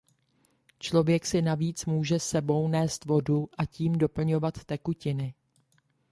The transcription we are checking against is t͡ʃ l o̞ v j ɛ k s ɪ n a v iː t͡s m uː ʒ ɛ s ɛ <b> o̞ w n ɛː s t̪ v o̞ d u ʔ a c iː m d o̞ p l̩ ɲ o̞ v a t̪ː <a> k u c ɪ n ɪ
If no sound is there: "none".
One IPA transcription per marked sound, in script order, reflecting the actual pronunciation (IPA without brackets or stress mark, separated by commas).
b, ɛ